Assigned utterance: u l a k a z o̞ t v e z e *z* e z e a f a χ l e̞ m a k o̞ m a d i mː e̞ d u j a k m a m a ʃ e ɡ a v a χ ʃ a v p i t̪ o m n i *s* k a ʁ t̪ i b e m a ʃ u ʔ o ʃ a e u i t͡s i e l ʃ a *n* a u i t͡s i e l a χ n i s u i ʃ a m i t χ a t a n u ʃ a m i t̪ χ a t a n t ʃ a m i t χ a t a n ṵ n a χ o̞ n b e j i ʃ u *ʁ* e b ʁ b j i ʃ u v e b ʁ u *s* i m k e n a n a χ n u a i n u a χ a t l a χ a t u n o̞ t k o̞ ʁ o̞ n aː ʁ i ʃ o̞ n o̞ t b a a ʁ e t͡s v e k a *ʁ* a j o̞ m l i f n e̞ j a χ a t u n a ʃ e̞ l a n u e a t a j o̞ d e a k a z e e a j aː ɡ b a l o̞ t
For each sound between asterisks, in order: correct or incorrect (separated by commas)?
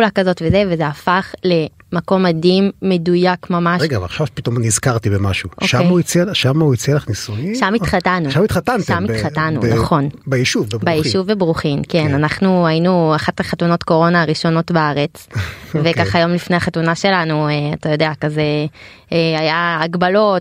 incorrect, incorrect, incorrect, incorrect, incorrect, incorrect